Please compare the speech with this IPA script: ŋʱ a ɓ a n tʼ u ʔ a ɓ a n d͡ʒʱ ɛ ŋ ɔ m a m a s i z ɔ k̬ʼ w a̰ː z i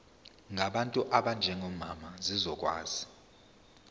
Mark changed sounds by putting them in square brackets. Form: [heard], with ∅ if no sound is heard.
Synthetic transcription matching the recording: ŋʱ a ɓ a n tʼ u ʔ a ɓ a n d͡ʒʱ ɛ ŋ ɔ m a m a [z] i z ɔ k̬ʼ w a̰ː z i